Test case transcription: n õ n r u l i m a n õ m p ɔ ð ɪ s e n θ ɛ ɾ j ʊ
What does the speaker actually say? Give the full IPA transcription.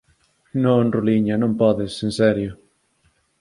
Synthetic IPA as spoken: n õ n r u l i ɲ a n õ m p ɔ ð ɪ s e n s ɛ ɾ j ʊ

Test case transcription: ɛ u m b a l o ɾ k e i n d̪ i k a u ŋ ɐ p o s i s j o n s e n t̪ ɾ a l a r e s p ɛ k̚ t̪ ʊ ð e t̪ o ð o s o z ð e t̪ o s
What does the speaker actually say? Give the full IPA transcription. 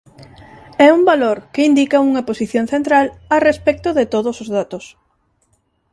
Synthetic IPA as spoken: ɛ u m b a l o ɾ k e i n d̪ i k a u ŋ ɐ p o s i θ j o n θ e n t̪ ɾ a l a r e s p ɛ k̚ t̪ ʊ ð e t̪ o ð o s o z ð a t̪ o s

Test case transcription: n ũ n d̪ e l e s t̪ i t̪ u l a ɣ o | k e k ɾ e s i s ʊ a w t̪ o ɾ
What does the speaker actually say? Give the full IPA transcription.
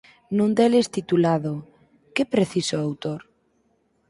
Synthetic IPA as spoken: n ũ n d̪ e l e s t̪ i t̪ u l a ð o | k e p ɾ e θ i s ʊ a w t̪ o ɾ

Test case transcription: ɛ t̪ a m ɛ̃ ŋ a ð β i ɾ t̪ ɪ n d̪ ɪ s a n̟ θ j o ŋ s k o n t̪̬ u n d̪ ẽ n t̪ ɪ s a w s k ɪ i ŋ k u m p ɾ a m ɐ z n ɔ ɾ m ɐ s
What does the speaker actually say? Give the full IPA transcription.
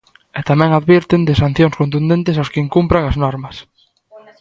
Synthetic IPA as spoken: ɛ t̪ a m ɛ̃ ŋ a ð β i ɾ t̪ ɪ n d̪ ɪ s a n̟ θ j o ŋ s k o n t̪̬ u n d̪ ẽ n t̪ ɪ s a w s k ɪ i ŋ k u m p ɾ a ŋ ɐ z n ɔ ɾ m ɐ s

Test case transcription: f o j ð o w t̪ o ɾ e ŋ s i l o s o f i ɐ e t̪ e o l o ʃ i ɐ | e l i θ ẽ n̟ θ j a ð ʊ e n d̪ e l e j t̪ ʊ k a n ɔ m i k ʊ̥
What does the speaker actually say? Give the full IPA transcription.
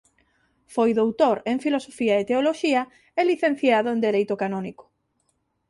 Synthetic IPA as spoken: f o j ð o w t̪ o ɾ e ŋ f i l o s o f i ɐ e t̪ e o l o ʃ i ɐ | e l i θ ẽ n̟ θ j a ð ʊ e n d̪ e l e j t̪ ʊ k a n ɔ n i k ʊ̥

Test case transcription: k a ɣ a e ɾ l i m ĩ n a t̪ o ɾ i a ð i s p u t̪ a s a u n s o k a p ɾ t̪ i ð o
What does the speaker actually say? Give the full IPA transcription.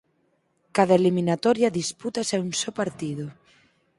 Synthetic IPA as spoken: k a ð a e l i m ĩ n a t̪ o ɾ j a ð i s p u t̪ a s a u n s o p a ɾ t̪ i ð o

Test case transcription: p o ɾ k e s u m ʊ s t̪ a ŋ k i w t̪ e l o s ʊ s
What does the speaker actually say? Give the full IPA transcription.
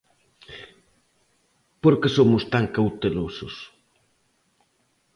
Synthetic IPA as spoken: p o ɾ k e s o m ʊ s t̪ a ŋ k a w t̪ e l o s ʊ s

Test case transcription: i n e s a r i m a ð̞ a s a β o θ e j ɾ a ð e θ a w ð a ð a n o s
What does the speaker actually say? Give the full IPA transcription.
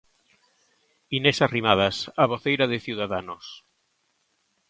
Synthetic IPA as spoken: i n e s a r i m a ð̞ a s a β o θ e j ɾ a ð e θ i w ð a ð a n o s

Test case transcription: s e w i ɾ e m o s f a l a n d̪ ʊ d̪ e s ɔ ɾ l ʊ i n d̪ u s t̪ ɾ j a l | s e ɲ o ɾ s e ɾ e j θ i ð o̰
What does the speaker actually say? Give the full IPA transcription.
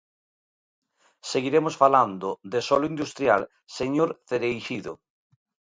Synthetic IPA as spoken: s e ɣ i ɾ e m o s f a l a n d̪ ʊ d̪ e s ɔ l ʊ i n d̪ u s t̪ ɾ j a l | s e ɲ o ɾ θ e ɾ e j ʃ i ð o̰

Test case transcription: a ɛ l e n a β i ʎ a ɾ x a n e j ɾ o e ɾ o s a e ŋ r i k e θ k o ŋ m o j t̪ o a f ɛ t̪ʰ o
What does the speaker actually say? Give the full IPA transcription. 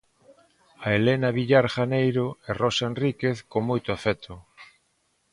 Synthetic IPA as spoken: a e l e n a β i ʎ a ɾ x a n e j ɾ o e r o s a e n r i k e θ k o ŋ m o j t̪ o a f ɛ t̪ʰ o

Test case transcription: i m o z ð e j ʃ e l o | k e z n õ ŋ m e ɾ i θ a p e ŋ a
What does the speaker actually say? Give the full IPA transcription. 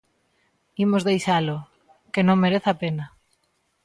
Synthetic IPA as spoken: i m o z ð e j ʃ a l o | k e n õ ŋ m e ɾ e θ a p e n a

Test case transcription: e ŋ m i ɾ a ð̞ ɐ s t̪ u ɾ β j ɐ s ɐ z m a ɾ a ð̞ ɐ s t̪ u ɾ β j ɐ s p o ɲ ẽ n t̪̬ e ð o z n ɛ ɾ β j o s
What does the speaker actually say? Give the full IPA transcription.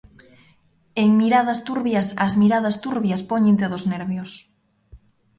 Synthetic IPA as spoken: e ŋ m i ɾ a ð̞ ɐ s t̪ u ɾ β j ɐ s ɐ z m i ɾ a ð̞ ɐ s t̪ u ɾ β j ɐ s p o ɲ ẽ n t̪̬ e ð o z n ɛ ɾ β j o s

